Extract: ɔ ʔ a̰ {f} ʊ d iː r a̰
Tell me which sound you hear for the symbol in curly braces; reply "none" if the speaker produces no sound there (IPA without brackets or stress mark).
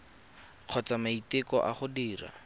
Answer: χ